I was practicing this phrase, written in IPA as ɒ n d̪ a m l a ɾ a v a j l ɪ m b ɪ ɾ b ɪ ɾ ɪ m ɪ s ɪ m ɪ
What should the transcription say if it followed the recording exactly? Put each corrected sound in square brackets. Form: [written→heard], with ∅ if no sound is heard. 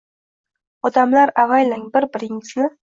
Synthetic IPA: ɒ [n→∅] d̪ a m l a ɾ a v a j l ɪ [m→ŋ] b ɪ ɾ b ɪ ɾ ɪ [m→ŋ] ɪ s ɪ [m→n] ɪ